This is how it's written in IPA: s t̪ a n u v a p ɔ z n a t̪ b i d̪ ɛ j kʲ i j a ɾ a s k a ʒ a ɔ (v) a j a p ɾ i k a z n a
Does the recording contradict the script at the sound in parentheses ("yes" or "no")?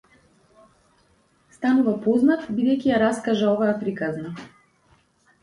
no